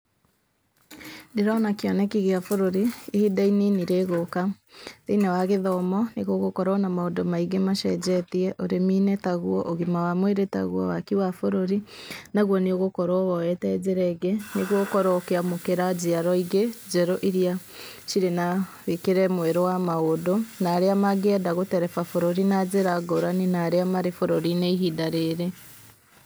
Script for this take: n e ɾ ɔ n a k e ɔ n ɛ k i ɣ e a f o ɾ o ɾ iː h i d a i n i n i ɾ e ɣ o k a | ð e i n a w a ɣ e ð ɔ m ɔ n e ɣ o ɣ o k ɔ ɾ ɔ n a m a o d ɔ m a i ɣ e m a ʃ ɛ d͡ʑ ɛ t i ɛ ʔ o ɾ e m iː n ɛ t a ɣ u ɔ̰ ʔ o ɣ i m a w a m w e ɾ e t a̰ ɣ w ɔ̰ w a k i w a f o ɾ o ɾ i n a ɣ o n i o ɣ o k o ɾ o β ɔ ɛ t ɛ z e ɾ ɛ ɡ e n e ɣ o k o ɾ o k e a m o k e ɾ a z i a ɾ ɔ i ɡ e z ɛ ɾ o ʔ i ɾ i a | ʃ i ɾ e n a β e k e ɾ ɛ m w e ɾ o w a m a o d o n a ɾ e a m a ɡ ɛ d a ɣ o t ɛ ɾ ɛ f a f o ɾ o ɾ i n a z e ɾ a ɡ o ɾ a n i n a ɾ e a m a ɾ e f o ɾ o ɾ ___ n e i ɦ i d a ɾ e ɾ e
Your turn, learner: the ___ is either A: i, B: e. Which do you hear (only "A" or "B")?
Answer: A